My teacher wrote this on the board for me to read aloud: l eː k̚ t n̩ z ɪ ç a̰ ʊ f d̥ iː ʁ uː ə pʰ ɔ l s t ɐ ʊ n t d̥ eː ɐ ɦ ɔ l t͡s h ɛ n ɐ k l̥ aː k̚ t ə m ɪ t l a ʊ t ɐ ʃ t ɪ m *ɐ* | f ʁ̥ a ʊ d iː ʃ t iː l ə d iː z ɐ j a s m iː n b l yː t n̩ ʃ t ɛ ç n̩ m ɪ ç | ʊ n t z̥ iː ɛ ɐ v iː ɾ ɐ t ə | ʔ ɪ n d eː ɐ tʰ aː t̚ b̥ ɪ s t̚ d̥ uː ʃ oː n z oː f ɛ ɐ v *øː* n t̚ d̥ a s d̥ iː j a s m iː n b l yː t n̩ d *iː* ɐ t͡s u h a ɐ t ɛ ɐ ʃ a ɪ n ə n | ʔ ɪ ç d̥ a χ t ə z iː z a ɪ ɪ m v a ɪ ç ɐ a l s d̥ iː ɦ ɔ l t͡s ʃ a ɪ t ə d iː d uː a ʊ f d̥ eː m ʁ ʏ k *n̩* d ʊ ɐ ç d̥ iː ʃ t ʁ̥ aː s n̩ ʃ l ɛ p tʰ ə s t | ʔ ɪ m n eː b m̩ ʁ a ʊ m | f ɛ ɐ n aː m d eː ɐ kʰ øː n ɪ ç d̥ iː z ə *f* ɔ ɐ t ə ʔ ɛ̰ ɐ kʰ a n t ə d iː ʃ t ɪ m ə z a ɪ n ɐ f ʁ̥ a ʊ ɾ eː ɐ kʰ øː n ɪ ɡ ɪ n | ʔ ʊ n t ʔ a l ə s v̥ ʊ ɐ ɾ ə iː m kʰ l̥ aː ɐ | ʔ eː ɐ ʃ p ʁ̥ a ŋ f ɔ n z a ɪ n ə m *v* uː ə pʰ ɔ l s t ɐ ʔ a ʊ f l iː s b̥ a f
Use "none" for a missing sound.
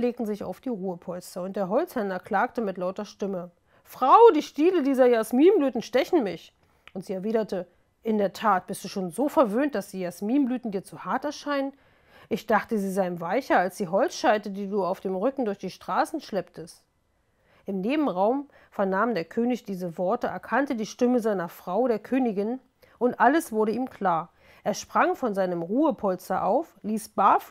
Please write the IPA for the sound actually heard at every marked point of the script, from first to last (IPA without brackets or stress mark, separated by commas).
ə, øː, iː, ŋ̩, v, ʁ